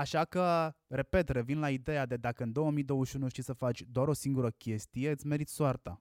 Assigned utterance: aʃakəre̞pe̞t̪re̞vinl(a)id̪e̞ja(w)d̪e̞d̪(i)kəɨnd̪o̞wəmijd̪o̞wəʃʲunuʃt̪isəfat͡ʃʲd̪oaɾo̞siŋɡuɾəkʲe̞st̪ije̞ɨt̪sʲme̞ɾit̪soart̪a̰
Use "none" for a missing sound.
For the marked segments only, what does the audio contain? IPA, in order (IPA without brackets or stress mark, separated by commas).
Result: a, none, a